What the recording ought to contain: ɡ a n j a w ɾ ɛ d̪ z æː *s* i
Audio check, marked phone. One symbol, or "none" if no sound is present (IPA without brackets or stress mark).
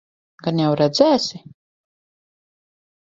s